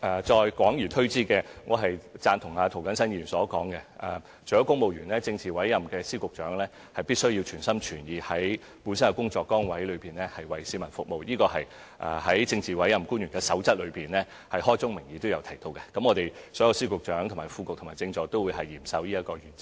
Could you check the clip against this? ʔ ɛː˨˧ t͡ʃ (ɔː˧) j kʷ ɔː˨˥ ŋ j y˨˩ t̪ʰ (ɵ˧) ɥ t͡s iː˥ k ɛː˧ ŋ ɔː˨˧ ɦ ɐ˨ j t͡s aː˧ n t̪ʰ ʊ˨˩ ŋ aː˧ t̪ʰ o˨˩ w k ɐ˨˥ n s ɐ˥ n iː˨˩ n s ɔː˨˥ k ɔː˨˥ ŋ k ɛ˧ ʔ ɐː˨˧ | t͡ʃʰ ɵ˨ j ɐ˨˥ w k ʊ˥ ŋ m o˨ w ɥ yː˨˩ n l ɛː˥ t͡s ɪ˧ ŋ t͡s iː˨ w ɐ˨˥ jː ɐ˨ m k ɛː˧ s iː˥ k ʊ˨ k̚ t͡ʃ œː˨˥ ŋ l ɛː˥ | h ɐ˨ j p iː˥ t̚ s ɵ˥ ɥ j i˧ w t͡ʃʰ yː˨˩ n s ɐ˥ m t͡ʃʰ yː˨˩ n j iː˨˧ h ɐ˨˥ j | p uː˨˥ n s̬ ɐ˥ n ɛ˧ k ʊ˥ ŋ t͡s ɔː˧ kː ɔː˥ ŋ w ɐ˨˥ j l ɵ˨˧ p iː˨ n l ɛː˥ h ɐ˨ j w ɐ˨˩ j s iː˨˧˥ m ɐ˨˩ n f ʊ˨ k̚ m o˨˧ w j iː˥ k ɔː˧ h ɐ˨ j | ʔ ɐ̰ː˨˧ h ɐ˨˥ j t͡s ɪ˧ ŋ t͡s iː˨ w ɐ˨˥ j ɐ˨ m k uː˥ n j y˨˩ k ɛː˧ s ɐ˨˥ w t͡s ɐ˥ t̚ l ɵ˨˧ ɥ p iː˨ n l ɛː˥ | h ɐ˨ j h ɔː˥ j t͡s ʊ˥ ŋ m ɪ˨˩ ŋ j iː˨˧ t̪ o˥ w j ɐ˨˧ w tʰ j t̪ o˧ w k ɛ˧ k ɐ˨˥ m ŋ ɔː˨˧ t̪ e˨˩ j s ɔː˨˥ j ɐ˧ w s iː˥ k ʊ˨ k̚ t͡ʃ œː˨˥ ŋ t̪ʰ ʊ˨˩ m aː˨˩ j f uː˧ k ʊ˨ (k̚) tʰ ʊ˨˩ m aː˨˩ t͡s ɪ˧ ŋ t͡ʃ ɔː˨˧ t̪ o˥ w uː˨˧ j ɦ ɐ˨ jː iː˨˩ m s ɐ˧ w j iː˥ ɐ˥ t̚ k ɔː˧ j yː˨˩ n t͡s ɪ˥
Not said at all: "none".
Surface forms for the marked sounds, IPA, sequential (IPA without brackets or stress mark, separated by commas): ɔː˧, ɵ˥, k̚